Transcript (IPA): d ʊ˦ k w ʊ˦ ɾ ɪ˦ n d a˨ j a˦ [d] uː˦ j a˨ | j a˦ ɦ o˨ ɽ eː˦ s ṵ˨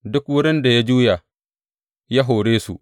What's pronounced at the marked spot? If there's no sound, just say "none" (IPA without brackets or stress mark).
d͡ʒ